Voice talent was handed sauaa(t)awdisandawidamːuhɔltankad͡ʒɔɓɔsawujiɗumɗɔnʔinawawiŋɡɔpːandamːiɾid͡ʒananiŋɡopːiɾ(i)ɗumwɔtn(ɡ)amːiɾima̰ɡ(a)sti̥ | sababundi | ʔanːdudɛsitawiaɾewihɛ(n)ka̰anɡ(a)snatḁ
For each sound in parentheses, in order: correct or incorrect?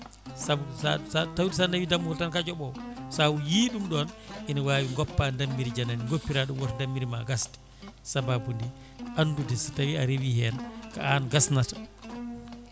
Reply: correct, incorrect, incorrect, correct, correct, correct

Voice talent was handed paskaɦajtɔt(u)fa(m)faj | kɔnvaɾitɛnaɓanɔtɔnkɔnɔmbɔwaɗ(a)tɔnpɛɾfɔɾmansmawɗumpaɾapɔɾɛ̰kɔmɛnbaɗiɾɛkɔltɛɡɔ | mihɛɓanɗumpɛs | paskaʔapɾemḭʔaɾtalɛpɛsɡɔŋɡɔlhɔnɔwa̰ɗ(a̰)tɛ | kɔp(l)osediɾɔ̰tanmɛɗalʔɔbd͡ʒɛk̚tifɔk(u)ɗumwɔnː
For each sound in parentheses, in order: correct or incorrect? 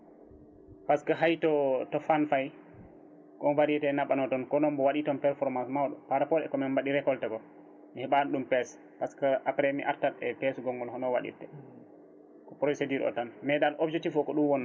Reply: incorrect, incorrect, incorrect, incorrect, incorrect, incorrect

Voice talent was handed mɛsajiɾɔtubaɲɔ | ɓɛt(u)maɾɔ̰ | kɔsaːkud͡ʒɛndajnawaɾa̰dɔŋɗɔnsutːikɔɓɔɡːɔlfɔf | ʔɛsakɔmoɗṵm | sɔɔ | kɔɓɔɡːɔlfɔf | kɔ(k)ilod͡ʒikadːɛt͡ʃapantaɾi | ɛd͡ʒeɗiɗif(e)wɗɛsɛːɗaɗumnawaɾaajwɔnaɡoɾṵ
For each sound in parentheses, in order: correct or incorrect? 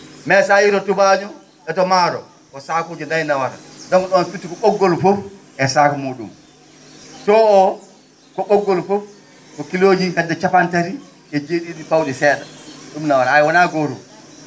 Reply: incorrect, correct, incorrect

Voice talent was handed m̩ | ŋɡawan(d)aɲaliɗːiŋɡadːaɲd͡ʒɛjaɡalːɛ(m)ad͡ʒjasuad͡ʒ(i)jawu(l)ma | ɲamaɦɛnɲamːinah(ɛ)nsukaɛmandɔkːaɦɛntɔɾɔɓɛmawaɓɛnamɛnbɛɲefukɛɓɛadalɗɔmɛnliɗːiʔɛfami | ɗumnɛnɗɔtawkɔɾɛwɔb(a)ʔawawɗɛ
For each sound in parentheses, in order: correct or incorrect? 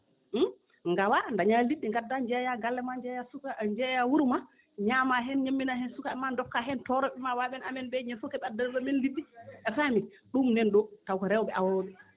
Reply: correct, correct, incorrect, incorrect, correct, incorrect

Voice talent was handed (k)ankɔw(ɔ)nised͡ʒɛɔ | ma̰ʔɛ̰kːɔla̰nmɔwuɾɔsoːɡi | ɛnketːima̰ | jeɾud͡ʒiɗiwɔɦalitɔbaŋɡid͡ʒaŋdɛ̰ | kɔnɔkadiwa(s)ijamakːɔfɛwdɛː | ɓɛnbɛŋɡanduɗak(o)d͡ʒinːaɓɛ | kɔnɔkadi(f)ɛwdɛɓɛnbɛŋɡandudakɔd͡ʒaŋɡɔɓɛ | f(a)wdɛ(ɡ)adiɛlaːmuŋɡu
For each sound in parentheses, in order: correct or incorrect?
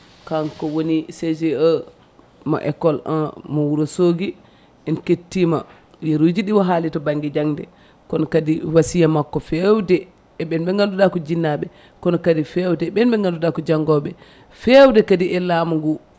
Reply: correct, incorrect, correct, incorrect, correct, incorrect, incorrect

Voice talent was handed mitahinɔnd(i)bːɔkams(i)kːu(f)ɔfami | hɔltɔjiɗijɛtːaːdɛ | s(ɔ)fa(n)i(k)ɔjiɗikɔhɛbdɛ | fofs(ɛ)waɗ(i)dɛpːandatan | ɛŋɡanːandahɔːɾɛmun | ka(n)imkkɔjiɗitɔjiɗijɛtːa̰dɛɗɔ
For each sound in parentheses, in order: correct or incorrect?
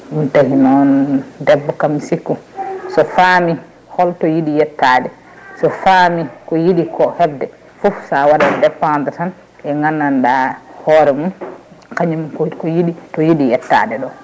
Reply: incorrect, correct, incorrect, correct, incorrect, correct, incorrect, incorrect, incorrect

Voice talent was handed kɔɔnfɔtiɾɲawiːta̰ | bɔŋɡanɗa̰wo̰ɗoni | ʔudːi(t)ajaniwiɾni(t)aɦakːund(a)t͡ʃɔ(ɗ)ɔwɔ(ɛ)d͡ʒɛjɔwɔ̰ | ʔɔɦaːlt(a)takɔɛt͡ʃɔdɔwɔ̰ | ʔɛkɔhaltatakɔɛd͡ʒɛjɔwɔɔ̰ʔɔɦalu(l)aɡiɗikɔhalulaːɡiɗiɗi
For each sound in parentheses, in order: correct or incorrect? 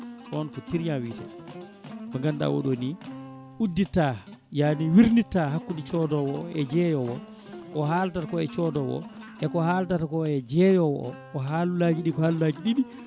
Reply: correct, correct, incorrect, incorrect, correct, correct, correct

